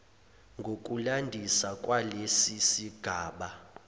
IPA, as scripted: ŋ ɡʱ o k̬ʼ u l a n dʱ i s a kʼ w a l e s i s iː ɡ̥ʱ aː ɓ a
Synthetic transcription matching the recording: ŋ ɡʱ o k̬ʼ u l a n dʱ i s a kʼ w a l e s i s i ɡ̥ʱ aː ɓ a